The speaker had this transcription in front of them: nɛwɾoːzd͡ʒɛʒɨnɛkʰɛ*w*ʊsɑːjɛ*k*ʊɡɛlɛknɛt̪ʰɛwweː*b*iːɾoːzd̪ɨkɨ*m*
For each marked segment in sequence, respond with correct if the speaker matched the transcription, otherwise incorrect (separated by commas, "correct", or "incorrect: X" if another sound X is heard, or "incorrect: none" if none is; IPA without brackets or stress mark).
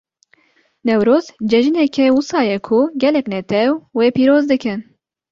correct, incorrect: kʰ, incorrect: p, incorrect: n